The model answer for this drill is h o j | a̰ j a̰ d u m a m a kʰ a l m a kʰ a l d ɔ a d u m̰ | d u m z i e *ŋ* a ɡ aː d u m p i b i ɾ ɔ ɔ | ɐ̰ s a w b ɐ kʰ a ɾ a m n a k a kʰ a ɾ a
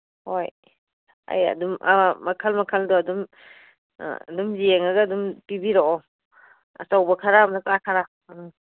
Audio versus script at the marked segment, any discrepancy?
no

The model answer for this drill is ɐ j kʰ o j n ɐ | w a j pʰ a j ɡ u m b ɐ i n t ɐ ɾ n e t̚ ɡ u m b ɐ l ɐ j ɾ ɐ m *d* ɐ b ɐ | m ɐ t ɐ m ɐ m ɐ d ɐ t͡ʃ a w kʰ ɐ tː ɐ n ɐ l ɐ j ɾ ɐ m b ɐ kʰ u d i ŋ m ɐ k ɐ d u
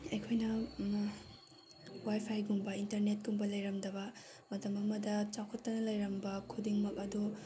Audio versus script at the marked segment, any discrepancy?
no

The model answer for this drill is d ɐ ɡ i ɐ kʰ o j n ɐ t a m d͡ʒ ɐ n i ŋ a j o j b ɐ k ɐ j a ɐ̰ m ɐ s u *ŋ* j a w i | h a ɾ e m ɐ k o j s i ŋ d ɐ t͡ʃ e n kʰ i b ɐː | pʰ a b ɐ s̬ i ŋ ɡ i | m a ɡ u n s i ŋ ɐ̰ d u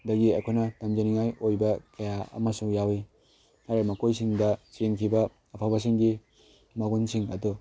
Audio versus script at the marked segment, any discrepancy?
no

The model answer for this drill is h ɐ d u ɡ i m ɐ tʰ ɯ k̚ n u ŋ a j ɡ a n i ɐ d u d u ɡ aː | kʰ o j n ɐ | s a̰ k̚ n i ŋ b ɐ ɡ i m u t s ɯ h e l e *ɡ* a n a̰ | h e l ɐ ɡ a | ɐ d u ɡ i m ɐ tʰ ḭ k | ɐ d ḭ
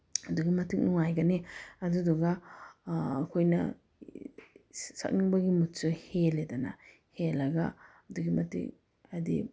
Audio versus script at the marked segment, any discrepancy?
yes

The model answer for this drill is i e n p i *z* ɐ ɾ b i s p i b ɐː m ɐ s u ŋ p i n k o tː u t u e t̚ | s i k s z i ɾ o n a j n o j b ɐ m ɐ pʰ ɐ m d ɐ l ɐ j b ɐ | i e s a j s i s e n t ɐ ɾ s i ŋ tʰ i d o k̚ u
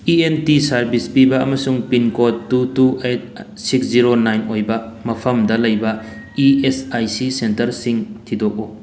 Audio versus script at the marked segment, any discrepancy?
yes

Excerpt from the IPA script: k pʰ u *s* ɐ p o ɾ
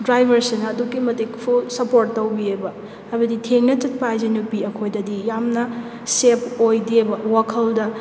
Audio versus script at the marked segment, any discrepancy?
no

